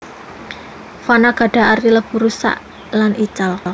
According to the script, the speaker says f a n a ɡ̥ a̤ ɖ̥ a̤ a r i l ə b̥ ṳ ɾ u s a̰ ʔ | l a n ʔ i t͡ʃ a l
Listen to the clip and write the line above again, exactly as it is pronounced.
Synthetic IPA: f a n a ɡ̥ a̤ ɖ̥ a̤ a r i l ə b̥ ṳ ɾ u s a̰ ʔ | l a n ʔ i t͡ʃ a l